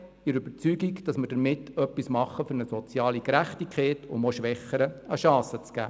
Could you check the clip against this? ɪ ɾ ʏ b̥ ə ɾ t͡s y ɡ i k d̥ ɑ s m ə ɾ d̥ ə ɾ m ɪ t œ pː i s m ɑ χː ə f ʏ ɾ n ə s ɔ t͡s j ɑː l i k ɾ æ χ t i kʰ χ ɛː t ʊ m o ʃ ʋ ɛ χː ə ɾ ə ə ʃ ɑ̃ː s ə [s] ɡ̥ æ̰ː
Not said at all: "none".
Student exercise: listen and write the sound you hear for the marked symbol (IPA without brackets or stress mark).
t͡s